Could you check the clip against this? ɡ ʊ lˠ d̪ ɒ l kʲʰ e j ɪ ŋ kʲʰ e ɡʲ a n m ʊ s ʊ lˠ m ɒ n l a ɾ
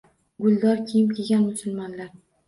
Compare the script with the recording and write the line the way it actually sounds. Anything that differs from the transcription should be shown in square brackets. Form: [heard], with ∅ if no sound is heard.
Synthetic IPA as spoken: ɡ ʊ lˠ d̪ ɒ [ɾ] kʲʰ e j ɪ [m] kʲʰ e ɡʲ a n m ʊ s ʊ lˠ m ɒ n l a ɾ